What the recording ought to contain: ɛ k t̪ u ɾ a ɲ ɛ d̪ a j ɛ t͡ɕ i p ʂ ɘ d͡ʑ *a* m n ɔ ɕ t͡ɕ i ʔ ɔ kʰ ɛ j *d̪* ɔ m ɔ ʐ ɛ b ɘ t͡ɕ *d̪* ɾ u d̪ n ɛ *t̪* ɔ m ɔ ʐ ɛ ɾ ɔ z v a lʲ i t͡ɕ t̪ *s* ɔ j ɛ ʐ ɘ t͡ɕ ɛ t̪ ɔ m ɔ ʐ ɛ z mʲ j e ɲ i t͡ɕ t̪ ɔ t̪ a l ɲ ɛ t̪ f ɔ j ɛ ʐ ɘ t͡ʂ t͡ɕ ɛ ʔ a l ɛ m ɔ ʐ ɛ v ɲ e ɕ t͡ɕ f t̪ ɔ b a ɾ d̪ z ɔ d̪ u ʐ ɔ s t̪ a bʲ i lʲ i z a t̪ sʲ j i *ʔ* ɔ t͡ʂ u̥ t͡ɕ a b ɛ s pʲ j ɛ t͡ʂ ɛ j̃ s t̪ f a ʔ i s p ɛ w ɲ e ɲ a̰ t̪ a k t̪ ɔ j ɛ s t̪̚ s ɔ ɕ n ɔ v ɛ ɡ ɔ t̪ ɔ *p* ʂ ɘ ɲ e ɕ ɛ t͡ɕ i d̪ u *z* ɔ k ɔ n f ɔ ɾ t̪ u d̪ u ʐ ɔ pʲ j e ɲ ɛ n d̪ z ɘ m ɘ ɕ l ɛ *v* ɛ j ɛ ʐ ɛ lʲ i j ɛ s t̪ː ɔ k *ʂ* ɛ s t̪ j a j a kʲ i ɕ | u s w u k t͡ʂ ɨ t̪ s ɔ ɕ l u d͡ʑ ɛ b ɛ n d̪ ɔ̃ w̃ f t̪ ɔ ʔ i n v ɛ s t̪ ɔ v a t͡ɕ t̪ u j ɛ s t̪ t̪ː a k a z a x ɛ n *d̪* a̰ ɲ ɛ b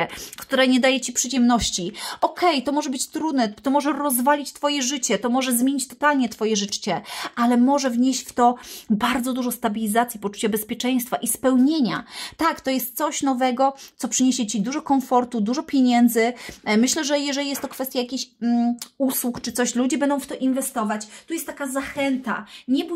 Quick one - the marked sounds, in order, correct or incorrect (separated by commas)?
incorrect, incorrect, incorrect, correct, incorrect, incorrect, correct, incorrect, incorrect, incorrect, incorrect